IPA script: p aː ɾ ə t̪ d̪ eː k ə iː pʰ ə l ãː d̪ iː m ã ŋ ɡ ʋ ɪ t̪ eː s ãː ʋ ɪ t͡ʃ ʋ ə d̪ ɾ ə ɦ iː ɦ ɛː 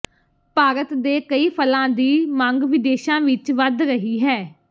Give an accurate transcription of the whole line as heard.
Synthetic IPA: p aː ɾ ə t̪ d̪ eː k ə iː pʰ ə l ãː d̪ iː m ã ŋ ɡ ʋ ɪ d̪ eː ʃ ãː ʋ ɪ t͡ʃ ʋ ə d̪ ɾ ə ɦ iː ɦ ɛː